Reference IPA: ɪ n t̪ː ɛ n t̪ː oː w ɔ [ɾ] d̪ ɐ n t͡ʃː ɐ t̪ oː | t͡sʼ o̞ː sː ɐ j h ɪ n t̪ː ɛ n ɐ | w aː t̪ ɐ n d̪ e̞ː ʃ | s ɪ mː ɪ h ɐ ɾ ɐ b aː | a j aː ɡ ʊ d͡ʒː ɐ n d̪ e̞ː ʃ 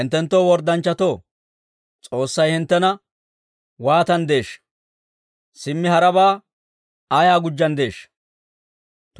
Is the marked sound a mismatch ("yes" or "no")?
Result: no